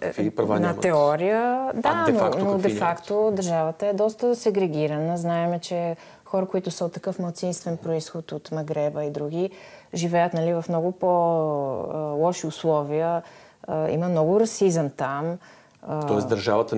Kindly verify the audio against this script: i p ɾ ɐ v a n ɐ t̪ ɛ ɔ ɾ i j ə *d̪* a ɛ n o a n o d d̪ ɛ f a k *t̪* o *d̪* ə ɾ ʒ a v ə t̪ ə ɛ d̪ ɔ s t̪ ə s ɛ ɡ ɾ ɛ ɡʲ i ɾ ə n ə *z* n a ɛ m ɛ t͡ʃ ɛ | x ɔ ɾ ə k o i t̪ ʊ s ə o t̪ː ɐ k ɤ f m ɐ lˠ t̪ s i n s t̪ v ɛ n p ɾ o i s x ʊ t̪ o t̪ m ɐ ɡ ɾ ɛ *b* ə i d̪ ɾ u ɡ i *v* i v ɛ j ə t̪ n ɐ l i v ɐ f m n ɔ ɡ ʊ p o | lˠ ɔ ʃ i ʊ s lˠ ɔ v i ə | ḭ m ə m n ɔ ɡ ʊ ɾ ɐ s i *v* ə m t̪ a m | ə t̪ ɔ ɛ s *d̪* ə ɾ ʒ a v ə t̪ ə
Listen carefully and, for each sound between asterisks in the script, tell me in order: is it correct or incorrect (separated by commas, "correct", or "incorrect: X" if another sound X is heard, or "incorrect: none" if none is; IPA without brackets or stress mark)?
correct, correct, correct, correct, correct, incorrect: ʒ, incorrect: z, correct